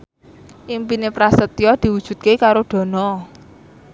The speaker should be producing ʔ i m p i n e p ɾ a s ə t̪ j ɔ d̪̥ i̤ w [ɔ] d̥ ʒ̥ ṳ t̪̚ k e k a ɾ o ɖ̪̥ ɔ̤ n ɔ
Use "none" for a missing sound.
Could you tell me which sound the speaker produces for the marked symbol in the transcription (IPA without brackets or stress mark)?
u